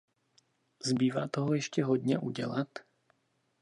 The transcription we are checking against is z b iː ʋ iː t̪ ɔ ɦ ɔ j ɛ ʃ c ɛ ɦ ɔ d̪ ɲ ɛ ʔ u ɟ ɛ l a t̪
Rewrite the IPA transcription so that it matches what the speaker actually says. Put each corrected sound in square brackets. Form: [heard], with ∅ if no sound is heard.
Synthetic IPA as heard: z b iː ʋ [aː] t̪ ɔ ɦ ɔ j ɛ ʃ c ɛ ɦ ɔ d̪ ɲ ɛ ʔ u ɟ ɛ l a t̪